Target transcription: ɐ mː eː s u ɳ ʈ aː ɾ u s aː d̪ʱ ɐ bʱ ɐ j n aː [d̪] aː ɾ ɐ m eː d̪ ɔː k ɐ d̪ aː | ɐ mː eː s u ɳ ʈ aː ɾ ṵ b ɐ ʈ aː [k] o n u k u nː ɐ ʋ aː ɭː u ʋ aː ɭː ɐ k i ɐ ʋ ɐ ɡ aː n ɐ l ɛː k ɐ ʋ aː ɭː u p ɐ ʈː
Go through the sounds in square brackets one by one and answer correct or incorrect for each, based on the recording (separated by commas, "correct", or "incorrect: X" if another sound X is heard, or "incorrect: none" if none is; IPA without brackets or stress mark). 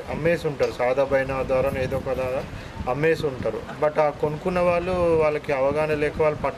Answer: correct, correct